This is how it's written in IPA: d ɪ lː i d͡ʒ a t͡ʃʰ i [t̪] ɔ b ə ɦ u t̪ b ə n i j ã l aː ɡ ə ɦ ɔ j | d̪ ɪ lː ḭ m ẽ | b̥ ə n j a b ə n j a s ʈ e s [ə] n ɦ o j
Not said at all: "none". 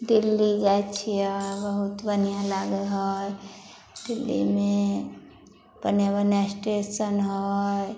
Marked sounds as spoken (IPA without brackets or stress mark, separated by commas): none, ə